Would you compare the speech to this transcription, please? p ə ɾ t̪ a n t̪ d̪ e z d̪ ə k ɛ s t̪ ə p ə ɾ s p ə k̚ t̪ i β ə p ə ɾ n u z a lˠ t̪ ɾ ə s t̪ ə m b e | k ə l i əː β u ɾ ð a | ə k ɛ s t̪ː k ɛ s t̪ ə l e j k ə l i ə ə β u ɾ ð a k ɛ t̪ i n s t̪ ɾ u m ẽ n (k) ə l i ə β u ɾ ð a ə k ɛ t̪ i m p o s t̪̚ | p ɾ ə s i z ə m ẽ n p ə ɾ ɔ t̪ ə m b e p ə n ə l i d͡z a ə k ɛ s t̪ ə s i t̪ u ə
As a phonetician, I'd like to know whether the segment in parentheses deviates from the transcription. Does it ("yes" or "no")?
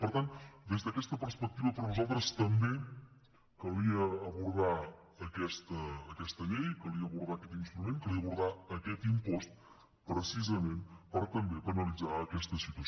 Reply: no